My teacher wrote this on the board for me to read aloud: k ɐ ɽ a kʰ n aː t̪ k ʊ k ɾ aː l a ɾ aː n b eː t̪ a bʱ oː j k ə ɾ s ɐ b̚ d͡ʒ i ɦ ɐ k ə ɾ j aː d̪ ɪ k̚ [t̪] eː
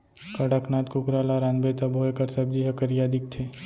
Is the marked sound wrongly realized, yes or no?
yes